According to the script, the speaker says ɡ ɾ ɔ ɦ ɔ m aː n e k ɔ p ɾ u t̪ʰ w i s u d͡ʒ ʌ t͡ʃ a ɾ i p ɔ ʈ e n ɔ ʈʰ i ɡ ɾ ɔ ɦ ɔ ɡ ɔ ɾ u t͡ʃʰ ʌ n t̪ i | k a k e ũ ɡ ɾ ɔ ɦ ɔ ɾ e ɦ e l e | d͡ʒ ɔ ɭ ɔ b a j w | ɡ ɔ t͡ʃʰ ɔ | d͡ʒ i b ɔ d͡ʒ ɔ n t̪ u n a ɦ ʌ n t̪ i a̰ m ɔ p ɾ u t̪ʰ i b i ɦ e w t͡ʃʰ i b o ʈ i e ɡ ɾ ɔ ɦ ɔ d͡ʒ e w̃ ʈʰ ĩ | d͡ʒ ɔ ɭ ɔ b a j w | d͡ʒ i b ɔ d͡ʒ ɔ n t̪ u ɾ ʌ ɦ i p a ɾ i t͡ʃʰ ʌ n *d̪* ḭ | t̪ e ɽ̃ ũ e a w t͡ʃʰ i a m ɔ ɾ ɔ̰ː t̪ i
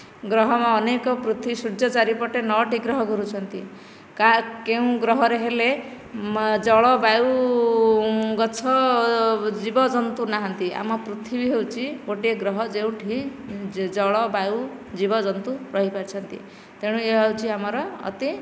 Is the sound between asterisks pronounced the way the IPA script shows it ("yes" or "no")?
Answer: no